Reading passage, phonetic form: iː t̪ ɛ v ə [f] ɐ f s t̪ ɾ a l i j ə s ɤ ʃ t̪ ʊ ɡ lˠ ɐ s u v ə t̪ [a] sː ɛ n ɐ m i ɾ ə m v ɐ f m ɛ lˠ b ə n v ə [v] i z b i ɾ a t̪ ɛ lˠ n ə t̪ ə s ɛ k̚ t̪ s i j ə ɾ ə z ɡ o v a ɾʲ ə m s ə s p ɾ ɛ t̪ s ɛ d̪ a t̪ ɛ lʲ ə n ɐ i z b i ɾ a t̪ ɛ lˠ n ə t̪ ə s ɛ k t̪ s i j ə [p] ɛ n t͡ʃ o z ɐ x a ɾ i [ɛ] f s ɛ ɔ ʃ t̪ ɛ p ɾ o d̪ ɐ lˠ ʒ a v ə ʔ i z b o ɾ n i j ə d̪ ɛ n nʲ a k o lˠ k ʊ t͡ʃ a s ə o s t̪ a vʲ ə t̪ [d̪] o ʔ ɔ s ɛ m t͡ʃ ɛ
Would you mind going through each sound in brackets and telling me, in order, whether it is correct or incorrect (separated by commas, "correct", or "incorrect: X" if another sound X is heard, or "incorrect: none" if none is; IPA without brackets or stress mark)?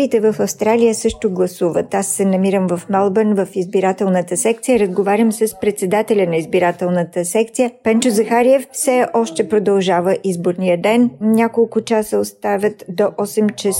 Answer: correct, correct, incorrect: f, correct, correct, correct